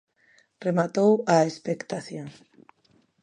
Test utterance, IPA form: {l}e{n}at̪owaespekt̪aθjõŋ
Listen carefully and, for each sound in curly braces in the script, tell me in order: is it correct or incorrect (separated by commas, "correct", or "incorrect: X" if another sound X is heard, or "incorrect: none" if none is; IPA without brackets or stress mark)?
incorrect: r, incorrect: m